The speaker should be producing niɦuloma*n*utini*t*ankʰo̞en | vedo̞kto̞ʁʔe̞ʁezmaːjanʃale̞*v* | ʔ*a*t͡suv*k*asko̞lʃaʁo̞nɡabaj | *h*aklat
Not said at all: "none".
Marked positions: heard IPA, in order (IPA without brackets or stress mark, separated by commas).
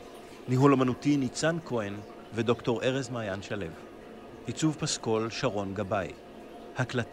n, t͡s, v, i, p, h